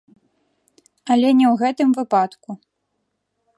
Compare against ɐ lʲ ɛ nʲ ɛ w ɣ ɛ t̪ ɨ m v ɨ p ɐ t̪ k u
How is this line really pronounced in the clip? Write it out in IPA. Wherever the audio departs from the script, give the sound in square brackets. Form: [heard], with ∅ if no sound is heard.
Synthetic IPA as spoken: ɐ lʲ ɛ nʲ ɛ w ɣ ɛ t̪ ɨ m v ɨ p [a] t̪ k u